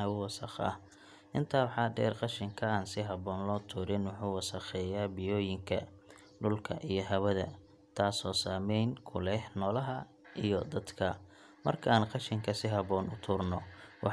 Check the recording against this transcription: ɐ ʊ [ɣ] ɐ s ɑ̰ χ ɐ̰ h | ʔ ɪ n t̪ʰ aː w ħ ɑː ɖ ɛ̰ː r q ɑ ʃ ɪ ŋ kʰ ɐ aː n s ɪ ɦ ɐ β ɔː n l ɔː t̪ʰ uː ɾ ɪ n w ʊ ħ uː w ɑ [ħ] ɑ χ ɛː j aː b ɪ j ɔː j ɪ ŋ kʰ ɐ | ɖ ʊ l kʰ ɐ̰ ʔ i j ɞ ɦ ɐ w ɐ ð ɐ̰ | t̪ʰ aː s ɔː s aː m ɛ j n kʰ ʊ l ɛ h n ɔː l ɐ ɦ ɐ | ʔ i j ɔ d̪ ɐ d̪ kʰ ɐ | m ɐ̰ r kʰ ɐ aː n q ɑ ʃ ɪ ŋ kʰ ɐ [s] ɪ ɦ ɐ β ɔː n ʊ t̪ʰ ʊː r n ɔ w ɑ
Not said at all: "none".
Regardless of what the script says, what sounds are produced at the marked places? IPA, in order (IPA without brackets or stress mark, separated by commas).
w, s, s